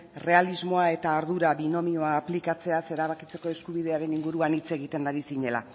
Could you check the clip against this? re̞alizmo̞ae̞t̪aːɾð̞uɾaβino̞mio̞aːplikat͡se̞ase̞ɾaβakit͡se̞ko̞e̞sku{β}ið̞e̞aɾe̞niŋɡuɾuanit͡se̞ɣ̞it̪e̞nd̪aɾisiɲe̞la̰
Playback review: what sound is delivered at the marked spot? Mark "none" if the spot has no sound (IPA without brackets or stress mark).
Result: β